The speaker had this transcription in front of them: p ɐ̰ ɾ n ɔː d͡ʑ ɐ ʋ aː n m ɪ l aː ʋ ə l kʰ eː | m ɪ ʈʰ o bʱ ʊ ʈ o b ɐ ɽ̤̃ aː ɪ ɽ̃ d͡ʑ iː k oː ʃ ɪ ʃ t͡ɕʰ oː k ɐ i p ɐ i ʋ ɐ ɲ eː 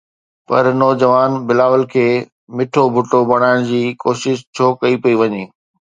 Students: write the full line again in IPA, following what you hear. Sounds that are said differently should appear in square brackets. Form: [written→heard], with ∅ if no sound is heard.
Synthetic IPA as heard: p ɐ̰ ɾ n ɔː d͡ʑ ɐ ʋ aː n [m→b] ɪ l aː ʋ ə l kʰ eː | m ɪ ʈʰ o bʱ ʊ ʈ o b ɐ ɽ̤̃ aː ɪ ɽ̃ d͡ʑ iː k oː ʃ ɪ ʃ t͡ɕʰ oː k ɐ i p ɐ i ʋ ɐ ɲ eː